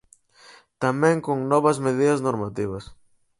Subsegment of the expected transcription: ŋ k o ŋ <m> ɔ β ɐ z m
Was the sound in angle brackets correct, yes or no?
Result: no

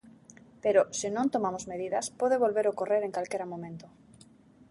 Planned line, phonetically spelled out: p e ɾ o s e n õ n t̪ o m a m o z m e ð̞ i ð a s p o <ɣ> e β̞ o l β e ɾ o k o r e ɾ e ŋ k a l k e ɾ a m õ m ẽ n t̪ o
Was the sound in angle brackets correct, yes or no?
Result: no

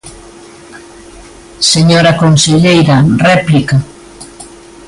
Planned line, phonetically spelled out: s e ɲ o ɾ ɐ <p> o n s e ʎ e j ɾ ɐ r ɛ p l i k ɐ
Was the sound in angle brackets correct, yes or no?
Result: no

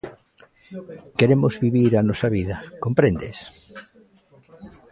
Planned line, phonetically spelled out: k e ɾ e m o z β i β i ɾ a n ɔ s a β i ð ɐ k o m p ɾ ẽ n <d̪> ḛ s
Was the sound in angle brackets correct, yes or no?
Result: yes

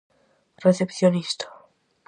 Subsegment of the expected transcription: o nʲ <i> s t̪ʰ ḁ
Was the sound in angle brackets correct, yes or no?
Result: yes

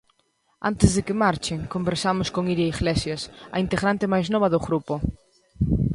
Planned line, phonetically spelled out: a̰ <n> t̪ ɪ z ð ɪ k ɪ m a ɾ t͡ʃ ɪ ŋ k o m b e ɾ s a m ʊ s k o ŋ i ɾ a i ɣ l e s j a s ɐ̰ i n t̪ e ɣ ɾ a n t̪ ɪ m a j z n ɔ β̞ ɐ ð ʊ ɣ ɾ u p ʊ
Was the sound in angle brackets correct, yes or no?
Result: yes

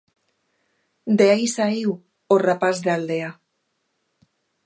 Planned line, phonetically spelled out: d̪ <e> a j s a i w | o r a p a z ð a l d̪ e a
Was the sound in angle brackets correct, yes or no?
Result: yes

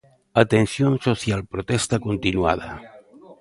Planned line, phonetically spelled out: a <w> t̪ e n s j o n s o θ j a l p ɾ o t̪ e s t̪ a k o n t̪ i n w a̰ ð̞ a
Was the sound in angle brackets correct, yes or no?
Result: no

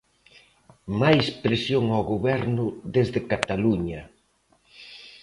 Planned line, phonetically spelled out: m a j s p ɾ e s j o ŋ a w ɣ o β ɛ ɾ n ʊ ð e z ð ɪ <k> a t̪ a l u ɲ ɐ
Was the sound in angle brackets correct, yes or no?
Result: yes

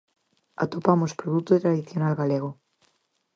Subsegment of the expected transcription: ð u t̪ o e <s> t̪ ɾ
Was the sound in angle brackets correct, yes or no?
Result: no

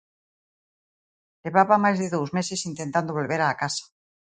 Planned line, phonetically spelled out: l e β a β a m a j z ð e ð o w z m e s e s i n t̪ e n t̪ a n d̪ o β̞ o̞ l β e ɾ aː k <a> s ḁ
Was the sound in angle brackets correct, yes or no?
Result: yes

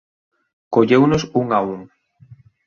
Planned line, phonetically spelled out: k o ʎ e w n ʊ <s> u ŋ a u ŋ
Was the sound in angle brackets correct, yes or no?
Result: yes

